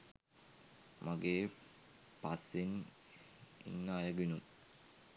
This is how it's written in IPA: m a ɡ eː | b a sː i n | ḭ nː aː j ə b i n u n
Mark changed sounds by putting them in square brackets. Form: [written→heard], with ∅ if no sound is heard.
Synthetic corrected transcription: m a ɡ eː | [b→p] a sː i n | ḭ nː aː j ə [b→ɡ] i n u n